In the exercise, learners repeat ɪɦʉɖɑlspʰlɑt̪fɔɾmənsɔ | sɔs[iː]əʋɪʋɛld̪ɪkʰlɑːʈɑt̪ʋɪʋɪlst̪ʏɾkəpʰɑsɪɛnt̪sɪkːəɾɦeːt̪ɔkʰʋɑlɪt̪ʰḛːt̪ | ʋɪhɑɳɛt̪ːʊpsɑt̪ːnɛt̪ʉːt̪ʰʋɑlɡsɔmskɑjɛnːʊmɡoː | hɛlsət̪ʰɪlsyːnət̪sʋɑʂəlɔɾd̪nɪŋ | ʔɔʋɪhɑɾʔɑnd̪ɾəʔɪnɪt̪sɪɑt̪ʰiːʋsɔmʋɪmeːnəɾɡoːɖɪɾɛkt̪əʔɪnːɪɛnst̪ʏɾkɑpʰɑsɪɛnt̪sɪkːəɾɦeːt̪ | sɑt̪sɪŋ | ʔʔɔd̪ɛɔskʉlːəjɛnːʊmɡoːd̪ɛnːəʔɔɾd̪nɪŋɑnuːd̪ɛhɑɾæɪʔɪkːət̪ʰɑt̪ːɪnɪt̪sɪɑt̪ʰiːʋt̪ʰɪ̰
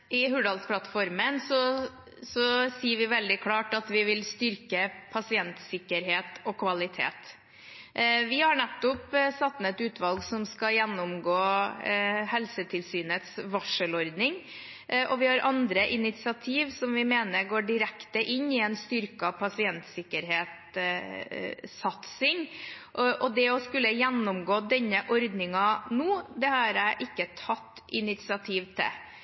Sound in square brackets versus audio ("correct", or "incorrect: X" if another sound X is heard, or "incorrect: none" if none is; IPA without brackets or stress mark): correct